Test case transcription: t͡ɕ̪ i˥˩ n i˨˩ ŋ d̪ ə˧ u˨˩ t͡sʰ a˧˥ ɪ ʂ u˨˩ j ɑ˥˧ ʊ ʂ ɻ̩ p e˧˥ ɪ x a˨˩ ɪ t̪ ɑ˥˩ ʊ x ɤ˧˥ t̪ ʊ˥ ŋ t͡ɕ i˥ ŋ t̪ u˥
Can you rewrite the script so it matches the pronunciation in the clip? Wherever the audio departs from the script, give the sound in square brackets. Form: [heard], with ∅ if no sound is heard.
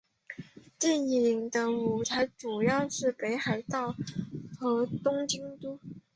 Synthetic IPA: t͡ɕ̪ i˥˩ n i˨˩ ŋ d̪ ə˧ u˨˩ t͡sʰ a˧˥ ɪ [ʈ͡ʂ] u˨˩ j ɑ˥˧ ʊ ʂ ɻ̩ p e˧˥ ɪ x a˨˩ ɪ t̪ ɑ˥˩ ʊ x ɤ˧˥ t̪ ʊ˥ ŋ t͡ɕ i˥ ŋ t̪ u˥